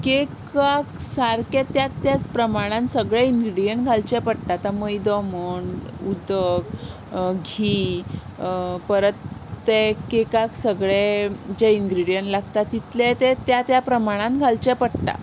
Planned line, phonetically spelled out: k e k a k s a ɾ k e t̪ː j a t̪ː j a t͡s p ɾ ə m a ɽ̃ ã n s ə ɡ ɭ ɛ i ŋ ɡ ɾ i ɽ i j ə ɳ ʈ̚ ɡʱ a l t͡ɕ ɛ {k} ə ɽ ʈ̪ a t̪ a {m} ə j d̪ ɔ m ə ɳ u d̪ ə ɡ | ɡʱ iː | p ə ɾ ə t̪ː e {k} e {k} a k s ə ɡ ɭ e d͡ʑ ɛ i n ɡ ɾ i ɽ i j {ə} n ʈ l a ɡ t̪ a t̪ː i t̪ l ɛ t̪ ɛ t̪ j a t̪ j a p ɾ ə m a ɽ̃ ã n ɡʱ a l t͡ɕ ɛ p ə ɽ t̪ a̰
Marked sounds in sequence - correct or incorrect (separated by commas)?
incorrect, correct, correct, correct, correct